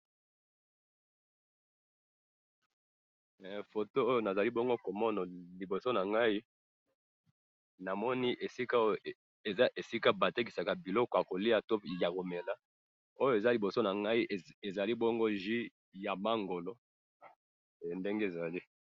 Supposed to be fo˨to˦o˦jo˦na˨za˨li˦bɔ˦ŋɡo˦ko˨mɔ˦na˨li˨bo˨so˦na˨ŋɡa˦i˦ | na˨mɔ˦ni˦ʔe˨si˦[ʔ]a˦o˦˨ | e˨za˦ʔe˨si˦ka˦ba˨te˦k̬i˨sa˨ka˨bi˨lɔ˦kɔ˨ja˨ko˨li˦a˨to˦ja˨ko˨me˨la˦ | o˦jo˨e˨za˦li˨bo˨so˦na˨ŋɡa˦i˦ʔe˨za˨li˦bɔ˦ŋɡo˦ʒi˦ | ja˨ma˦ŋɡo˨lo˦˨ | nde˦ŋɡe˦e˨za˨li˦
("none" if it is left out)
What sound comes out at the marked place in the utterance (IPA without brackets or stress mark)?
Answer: k